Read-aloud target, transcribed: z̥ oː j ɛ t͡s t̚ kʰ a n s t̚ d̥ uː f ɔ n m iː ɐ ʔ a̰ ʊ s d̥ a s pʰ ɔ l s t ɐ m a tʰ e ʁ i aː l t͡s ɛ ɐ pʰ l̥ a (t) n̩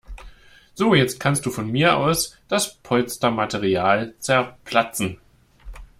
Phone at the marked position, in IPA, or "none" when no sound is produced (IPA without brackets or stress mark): t͡s